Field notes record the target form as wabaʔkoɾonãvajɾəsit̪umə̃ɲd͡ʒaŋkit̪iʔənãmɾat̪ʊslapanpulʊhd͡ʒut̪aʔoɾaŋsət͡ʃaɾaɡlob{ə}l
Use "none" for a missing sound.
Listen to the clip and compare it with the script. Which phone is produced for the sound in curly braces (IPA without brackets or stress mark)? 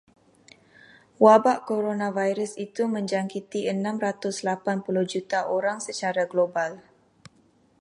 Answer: a